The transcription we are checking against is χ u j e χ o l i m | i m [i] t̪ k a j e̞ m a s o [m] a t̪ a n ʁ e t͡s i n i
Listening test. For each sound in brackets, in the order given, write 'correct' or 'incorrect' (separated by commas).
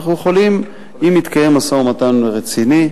correct, correct